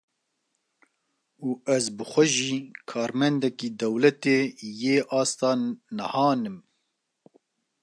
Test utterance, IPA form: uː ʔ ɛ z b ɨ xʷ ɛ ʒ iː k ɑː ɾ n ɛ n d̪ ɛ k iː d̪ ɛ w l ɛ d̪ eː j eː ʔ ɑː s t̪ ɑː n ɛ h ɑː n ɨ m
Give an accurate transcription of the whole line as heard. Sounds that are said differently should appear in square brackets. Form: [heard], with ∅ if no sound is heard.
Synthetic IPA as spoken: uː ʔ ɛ z b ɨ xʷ ɛ ʒ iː [kʰ] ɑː ɾ [m] ɛ n d̪ ɛ k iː d̪ ɛ w l ɛ [t̪] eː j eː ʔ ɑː s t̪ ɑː n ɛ h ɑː n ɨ m